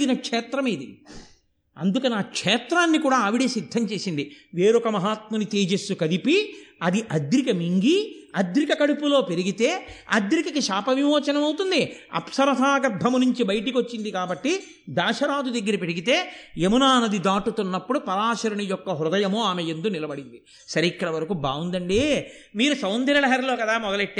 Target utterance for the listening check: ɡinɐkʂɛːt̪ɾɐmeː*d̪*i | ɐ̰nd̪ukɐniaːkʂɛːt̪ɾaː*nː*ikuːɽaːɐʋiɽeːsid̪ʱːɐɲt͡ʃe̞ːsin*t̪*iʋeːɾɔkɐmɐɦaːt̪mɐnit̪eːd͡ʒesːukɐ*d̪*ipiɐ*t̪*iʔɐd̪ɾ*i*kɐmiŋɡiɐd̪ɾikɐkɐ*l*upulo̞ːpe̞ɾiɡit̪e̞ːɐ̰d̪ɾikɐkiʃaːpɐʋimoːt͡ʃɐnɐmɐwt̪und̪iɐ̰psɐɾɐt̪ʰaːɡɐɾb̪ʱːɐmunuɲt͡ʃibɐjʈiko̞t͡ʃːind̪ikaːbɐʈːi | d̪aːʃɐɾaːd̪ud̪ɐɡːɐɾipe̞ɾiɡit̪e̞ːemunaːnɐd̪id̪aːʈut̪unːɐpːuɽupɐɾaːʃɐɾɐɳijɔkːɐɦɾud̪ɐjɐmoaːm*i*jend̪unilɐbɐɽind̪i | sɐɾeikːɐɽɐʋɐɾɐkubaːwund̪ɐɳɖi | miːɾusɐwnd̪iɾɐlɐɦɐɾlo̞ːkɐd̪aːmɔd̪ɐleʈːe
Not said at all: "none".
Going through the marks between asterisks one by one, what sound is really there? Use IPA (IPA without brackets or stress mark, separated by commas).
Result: d̪, nː, d̪, d̪, d̪, i, ɽ, e